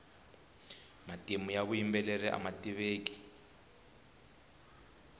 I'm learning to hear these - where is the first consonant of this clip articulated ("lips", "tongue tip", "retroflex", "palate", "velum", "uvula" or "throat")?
lips